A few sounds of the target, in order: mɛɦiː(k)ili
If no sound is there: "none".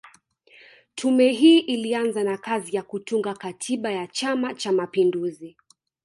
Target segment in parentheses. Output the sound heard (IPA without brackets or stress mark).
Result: ʔ